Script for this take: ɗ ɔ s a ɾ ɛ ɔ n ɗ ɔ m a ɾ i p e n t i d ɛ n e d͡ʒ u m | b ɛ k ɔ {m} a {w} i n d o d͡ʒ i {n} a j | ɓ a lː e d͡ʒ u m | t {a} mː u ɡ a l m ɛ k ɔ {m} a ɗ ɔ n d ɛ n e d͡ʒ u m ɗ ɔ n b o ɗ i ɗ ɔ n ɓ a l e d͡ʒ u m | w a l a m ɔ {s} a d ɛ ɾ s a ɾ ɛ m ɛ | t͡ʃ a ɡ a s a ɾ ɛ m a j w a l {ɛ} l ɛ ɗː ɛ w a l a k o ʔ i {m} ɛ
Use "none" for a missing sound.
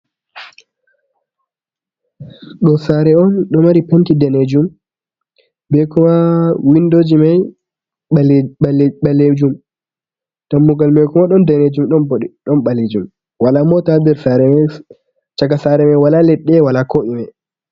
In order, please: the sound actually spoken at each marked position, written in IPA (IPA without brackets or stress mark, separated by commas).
m, w, m, a, m, t, a, m